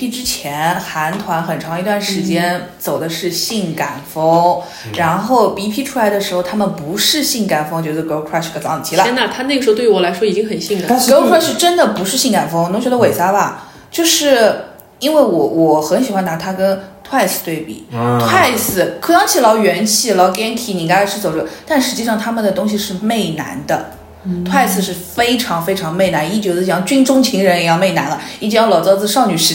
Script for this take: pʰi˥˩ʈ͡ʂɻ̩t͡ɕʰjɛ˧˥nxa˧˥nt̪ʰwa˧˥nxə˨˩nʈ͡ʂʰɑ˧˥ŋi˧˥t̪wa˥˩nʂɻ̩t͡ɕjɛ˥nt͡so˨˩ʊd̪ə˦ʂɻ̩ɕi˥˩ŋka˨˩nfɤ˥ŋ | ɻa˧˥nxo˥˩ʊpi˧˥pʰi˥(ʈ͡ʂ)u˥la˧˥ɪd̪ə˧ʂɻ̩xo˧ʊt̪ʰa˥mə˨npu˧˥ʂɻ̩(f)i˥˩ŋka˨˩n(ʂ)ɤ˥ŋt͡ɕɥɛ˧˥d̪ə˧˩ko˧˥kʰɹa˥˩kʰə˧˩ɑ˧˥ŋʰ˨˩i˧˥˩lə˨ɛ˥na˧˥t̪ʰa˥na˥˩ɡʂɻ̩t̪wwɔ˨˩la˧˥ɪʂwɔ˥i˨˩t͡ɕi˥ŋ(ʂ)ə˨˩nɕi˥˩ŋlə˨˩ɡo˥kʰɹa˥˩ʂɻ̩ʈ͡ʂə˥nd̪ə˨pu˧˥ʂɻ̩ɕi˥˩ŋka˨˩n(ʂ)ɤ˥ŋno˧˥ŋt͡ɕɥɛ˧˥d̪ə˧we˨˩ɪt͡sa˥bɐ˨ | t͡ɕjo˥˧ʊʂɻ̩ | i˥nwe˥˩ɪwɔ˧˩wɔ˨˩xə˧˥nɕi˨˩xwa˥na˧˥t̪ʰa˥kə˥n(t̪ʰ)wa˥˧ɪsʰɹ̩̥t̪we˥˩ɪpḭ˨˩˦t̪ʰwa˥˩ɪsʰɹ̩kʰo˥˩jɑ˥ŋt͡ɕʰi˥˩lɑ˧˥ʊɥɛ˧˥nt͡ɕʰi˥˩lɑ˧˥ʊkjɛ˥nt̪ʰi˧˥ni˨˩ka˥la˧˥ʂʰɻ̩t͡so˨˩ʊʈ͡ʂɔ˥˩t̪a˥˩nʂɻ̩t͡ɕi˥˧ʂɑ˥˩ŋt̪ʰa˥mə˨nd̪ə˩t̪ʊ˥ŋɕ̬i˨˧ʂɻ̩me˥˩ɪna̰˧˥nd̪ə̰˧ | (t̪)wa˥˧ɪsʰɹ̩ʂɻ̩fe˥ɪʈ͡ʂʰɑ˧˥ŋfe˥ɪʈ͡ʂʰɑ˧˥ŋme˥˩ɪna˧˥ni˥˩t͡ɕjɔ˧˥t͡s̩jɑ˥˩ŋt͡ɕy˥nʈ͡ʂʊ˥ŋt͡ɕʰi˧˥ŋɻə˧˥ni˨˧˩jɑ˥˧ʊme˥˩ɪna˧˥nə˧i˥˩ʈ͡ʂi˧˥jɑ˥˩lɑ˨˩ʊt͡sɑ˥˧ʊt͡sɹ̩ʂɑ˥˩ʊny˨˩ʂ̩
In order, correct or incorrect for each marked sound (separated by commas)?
incorrect, incorrect, incorrect, incorrect, incorrect, correct, incorrect